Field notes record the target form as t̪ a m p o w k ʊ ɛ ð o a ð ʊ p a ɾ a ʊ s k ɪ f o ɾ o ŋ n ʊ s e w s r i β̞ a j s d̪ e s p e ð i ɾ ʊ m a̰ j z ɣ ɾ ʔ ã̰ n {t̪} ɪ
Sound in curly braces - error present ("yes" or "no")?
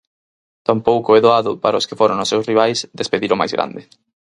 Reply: yes